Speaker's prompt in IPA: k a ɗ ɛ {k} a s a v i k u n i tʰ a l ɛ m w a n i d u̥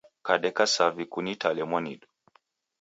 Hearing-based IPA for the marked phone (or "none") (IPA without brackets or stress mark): k